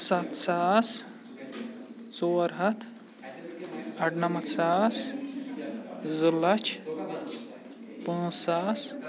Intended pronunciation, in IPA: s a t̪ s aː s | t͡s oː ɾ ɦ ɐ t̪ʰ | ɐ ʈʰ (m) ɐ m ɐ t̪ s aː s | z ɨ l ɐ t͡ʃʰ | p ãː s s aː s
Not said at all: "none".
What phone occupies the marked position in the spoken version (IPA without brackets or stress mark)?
n